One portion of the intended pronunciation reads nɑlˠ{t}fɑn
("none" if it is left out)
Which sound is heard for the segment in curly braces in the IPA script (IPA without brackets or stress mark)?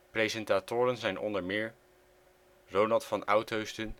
t